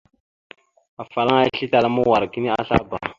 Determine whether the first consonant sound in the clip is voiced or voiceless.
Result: voiceless